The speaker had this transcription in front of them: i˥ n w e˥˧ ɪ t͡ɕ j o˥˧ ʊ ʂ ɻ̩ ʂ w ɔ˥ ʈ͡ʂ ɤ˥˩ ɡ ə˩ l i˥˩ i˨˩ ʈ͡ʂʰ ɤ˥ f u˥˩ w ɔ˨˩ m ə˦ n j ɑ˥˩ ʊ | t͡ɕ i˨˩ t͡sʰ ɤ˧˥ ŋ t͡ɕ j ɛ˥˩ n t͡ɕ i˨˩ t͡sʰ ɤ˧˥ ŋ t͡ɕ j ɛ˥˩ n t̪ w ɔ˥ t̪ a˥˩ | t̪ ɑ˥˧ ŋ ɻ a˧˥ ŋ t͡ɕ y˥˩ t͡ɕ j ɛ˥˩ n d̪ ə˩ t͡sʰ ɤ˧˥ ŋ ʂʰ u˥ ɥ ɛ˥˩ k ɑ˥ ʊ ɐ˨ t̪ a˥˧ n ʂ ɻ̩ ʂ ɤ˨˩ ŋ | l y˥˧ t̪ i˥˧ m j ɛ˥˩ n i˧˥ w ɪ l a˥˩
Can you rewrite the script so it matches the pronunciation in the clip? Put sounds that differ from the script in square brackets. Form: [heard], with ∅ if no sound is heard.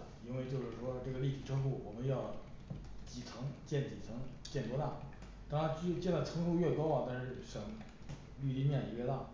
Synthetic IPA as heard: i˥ n w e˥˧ ɪ t͡ɕ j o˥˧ ʊ ʂ ɻ̩ ʂ w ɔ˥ ʈ͡ʂ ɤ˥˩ ɡ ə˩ l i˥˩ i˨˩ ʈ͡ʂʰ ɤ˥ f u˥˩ w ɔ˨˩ m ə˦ n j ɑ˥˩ ʊ | t͡ɕ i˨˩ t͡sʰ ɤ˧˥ ŋ t͡ɕ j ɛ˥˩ n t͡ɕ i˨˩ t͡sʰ ɤ˧˥ ŋ t͡ɕ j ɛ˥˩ n t̪ w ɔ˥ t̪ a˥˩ | t̪ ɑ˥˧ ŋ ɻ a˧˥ [n] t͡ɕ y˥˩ t͡ɕ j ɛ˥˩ n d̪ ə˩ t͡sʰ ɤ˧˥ ŋ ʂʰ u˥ ɥ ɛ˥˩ k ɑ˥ ʊ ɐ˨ t̪ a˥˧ n ʂ ɻ̩ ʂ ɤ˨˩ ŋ | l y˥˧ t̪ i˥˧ m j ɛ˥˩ n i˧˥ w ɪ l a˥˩